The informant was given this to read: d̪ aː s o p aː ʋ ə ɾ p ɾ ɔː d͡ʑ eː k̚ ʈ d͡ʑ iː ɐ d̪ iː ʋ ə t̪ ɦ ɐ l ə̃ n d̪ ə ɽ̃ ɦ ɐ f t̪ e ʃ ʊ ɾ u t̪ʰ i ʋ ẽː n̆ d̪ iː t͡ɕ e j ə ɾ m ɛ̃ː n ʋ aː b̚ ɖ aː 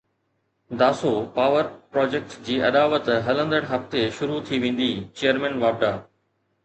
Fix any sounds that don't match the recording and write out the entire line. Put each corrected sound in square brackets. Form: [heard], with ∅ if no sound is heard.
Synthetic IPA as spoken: d̪ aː s o p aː ʋ ə ɾ p ɾ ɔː d͡ʑ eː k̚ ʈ d͡ʑ iː ɐ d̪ [aː] ʋ ə t̪ ɦ ɐ l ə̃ n d̪ ə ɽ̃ ɦ ɐ f t̪ e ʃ ʊ ɾ u t̪ʰ i ʋ ẽː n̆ d̪ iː t͡ɕ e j ə ɾ m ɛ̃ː n ʋ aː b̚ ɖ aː